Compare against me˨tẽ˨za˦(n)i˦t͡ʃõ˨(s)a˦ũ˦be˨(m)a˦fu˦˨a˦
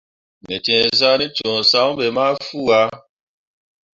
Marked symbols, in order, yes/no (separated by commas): yes, yes, yes